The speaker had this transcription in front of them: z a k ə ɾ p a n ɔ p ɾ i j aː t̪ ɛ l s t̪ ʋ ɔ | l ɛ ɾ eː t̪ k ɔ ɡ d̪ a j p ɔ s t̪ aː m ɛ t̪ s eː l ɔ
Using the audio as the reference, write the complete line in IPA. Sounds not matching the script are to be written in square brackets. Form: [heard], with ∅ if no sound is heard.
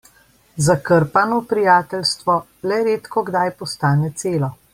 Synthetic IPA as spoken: z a k ə ɾ p a n ɔ p ɾ i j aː t̪ ɛ l s t̪ ʋ ɔ | l ɛ ɾ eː t̪ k ɔ ɡ d̪ a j p ɔ s t̪ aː [n] ɛ t̪ s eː l ɔ